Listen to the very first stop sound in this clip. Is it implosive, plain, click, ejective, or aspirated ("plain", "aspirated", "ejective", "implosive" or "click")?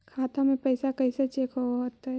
aspirated